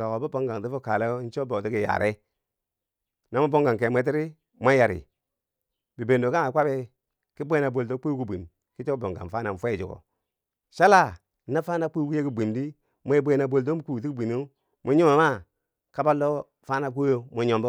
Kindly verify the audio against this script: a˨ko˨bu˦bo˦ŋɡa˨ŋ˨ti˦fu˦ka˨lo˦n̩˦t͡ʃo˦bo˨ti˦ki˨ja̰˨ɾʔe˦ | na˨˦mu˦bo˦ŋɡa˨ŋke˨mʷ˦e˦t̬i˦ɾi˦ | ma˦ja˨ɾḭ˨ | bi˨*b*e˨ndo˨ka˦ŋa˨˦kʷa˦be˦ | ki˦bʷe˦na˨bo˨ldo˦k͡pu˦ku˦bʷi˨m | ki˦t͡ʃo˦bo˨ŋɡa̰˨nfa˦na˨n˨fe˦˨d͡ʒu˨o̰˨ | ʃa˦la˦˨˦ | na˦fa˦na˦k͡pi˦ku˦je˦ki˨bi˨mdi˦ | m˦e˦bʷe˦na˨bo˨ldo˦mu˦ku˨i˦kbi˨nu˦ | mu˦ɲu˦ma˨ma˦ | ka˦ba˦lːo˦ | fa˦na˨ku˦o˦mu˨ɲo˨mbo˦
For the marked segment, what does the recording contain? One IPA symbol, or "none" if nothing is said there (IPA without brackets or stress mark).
b